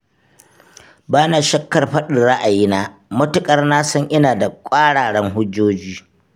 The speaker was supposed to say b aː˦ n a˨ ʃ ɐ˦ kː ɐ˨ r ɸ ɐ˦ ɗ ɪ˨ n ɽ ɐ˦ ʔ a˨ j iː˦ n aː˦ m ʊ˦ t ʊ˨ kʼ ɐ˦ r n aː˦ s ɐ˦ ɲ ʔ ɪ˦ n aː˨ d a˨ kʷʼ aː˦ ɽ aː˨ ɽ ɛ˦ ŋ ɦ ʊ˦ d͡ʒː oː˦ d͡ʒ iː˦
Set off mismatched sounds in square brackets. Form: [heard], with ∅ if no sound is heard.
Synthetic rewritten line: b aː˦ n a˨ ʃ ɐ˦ kː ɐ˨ r ɸ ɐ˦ ɗ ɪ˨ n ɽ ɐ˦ ʔ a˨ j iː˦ n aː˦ m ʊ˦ t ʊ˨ kʼ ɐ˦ r n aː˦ s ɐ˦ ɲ ʔ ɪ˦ n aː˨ d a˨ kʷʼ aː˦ ɽ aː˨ ɽ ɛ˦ ŋ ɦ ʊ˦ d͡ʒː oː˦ d͡ʒ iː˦